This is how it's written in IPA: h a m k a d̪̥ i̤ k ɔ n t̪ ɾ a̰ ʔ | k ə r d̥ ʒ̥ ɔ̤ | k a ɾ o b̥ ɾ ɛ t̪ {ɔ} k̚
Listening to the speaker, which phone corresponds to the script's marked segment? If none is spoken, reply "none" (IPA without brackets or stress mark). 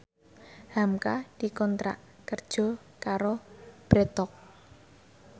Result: ɔ